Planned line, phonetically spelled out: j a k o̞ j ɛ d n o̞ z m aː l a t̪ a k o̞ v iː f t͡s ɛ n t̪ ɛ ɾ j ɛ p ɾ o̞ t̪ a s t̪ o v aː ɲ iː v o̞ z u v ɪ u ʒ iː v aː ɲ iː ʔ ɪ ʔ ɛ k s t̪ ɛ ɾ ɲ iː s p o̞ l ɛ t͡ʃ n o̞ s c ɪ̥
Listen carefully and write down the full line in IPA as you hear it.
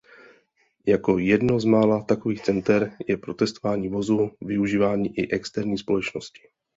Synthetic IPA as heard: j a k o̞ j ɛ d n o̞ z m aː l a t̪ a k o̞ v iː x t͡s ɛ n t̪ ɛ ɾ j ɛ p ɾ o̞ t̪ ɛ s t̪ o v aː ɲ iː v o̞ z u v ɪ u ʒ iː v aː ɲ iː ʔ ɪ ʔ ɛ k s t̪ ɛ ɾ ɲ iː s p o̞ l ɛ t͡ʃ n o̞ s c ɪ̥